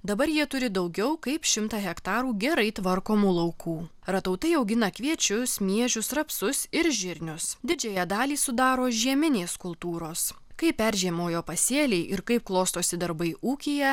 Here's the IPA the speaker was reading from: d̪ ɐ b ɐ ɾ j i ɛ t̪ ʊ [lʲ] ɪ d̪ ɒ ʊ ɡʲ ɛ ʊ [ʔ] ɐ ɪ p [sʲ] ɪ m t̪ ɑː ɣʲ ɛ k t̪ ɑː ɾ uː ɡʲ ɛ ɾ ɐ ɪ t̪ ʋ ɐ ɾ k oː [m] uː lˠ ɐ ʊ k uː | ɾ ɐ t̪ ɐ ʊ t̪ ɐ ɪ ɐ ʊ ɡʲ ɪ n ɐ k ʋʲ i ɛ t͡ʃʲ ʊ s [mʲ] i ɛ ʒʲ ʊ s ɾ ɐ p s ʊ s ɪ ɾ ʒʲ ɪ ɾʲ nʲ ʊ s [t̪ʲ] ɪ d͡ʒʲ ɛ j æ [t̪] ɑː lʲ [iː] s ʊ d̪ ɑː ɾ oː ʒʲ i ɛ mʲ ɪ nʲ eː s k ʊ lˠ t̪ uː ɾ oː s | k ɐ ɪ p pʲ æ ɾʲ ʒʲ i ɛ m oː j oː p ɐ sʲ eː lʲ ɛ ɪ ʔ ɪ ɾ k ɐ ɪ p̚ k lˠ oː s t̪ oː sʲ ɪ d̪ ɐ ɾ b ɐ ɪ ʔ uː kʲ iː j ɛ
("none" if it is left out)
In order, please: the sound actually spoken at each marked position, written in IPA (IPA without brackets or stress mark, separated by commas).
ɾʲ, k, ʃʲ, m, mʲ, d̪ʲ, d̪, iː